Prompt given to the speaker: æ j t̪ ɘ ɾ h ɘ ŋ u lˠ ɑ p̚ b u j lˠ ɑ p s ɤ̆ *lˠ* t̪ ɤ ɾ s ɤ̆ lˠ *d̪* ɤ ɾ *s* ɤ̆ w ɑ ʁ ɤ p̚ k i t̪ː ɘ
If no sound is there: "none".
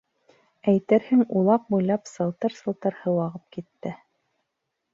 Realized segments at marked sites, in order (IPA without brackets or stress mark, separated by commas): lˠ, t̪, h